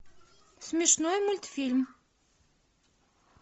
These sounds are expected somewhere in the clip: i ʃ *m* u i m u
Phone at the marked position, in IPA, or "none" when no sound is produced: n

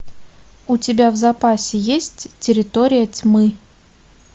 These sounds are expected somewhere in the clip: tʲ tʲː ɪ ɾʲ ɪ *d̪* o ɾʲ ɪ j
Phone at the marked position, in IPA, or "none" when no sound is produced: t̪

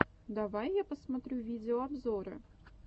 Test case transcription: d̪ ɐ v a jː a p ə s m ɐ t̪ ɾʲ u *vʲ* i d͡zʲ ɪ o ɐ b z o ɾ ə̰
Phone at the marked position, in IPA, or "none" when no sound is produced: vʲ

